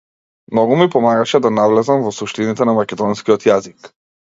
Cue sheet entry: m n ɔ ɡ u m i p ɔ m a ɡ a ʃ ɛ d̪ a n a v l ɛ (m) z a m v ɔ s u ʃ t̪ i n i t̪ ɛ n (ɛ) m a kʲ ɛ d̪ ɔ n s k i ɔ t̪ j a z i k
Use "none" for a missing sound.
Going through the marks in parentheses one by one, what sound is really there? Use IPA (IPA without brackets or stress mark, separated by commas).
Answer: none, a